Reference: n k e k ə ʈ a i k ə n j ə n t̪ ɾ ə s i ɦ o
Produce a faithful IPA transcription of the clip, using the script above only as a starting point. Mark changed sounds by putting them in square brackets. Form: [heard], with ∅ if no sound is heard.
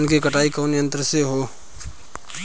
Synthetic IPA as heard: n k e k ə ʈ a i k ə n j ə n t̪ ɾ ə s [e] ɦ o